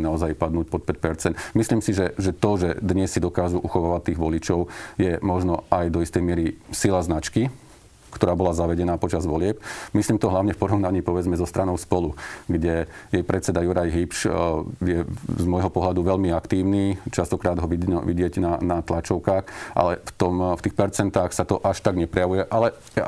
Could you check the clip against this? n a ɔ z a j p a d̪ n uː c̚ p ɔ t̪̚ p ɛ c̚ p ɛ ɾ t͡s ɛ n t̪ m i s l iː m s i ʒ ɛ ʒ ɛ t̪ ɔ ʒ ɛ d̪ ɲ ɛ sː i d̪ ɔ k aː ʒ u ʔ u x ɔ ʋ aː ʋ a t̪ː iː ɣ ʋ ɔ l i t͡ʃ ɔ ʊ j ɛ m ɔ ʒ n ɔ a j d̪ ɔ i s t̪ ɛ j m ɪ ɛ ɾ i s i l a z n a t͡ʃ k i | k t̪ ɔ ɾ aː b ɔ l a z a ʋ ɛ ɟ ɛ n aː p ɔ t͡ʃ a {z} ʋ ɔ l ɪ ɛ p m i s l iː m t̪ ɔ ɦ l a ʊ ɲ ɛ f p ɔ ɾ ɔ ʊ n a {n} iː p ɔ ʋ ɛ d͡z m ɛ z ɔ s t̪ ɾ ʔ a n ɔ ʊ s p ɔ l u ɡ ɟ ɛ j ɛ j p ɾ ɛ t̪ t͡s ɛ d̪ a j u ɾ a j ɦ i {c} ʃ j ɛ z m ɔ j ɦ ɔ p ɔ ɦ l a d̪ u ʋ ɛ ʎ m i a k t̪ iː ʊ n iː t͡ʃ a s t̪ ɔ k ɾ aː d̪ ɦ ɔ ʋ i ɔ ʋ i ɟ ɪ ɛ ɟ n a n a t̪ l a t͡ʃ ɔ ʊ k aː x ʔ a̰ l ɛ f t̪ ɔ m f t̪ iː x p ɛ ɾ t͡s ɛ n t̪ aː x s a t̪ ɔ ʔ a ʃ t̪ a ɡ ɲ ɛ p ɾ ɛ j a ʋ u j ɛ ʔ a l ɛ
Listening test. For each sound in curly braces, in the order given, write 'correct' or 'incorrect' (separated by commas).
correct, incorrect, incorrect